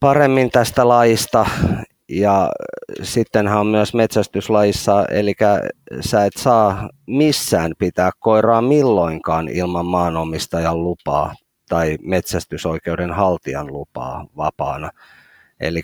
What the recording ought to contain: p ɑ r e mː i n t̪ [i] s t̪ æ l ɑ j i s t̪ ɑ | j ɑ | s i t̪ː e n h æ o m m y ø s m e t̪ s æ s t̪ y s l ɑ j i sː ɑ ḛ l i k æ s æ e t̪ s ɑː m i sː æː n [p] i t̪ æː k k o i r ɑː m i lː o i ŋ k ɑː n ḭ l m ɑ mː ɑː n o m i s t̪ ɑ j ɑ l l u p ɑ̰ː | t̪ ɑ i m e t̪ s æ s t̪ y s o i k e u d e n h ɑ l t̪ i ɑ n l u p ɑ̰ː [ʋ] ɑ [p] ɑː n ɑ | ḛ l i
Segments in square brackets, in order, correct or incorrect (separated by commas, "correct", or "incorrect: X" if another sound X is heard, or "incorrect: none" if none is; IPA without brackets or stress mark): incorrect: æ, correct, correct, correct